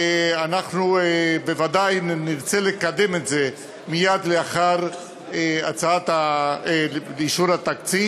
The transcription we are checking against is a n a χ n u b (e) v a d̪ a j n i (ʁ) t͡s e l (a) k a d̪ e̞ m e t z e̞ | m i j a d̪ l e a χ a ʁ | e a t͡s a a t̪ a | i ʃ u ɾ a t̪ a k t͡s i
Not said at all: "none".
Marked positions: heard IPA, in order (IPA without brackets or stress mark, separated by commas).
e, ʁ, e